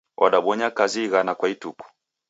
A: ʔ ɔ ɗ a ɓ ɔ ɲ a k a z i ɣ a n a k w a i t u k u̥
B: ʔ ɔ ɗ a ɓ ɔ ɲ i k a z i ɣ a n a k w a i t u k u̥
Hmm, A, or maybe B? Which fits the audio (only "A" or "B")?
A